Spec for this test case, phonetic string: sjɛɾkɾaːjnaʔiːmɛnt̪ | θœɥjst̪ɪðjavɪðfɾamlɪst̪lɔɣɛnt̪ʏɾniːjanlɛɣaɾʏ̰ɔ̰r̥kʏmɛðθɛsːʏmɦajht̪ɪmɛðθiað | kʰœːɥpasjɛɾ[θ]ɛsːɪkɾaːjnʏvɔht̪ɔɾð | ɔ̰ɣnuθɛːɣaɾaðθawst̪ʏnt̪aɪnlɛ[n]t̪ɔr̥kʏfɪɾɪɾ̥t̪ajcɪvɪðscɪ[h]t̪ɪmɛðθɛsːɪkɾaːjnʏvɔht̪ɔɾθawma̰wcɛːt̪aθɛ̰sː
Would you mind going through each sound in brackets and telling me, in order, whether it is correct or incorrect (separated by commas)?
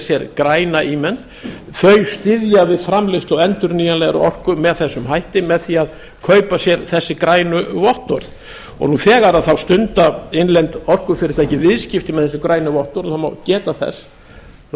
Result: correct, correct, incorrect